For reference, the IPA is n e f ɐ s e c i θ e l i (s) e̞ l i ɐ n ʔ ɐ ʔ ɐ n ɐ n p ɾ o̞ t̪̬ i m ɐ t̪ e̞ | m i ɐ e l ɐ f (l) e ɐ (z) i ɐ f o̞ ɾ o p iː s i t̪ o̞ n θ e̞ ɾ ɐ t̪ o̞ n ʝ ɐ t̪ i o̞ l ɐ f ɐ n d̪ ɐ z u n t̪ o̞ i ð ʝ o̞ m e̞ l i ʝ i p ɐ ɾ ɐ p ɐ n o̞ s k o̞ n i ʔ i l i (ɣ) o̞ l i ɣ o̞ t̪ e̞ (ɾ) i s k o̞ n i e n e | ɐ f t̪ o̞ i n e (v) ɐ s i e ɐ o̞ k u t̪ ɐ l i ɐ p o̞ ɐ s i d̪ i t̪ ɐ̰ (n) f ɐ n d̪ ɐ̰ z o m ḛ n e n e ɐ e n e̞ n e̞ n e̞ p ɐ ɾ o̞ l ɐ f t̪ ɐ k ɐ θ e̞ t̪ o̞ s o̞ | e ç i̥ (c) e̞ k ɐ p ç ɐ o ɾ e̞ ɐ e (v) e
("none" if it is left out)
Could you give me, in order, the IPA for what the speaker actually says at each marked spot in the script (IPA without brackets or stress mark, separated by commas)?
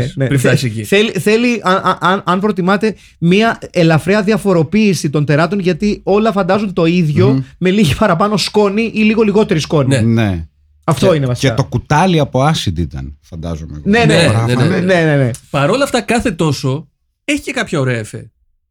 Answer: θ, ɾ, ð, ɣ, ɾ, v, n, c, f